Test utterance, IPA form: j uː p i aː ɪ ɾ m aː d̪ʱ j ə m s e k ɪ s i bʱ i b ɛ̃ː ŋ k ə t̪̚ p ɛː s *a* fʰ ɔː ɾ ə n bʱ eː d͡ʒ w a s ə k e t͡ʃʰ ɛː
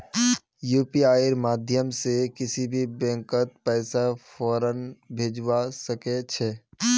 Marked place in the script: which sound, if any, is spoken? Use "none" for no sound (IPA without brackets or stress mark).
a